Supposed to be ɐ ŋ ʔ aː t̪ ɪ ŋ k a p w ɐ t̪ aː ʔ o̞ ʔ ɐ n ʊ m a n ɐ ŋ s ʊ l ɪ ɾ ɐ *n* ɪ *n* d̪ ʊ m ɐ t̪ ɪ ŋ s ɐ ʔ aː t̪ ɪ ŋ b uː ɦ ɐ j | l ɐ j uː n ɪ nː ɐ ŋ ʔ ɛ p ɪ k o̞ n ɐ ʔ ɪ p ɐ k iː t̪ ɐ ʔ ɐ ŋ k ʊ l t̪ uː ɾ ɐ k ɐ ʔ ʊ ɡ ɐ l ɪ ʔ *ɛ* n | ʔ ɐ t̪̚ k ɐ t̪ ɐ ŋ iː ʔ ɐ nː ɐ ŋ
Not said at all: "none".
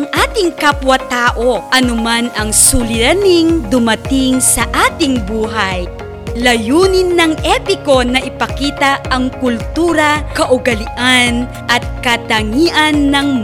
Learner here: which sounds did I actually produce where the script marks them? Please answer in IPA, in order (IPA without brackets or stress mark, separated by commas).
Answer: n, ŋ, a